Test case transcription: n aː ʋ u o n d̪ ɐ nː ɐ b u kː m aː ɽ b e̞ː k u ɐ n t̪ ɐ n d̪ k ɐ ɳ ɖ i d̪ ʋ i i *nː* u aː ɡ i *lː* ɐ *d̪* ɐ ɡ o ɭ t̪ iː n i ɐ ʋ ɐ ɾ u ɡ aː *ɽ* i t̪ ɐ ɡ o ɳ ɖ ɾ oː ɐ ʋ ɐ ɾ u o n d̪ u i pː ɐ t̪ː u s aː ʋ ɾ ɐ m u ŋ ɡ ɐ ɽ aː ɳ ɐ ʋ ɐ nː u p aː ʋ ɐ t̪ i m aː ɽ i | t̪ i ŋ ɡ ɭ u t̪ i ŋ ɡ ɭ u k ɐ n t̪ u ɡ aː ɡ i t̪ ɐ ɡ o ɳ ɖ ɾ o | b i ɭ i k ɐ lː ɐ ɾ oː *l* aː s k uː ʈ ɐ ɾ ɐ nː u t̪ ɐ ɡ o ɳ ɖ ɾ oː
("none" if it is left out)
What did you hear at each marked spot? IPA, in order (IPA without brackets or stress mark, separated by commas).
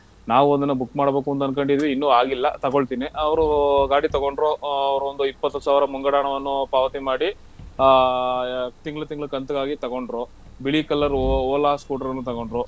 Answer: nː, lː, t̪, ɽ, l